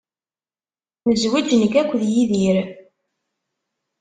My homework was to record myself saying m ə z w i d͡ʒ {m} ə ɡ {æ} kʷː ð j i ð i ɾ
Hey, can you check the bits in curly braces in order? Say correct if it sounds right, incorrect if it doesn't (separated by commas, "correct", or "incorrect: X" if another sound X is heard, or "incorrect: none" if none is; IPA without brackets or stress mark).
incorrect: n, correct